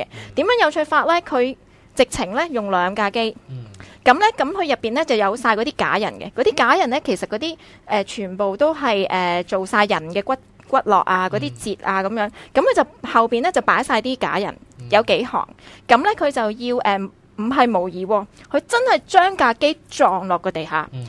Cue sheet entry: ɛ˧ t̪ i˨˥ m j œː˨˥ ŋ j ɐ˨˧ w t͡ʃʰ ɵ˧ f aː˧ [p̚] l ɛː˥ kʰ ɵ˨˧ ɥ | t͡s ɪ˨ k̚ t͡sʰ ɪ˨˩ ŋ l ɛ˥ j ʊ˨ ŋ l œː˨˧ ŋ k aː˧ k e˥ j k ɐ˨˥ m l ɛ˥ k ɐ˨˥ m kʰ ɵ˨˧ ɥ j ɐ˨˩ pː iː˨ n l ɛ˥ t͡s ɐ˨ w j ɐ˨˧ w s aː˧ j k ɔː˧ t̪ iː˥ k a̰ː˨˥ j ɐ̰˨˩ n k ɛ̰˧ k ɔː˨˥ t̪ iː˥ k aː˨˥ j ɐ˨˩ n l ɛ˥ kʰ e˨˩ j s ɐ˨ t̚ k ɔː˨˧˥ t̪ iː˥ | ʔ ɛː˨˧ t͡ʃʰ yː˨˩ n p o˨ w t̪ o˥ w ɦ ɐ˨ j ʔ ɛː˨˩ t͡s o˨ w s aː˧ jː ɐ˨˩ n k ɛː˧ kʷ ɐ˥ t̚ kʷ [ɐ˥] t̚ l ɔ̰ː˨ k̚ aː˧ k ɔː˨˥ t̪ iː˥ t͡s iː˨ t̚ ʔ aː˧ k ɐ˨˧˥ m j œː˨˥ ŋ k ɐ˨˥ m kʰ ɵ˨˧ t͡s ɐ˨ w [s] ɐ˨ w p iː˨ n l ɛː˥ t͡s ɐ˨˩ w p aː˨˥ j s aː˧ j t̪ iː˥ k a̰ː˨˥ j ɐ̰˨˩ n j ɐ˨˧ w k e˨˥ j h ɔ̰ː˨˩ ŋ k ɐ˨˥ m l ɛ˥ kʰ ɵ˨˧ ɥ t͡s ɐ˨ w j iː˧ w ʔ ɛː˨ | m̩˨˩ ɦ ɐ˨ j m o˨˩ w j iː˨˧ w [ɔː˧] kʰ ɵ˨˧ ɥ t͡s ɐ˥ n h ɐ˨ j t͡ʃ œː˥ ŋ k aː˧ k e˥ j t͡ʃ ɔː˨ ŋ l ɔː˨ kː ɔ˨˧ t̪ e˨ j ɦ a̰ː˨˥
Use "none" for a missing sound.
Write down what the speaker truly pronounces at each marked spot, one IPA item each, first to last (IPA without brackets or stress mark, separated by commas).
t̚, ɐ˥, h, ɔː˧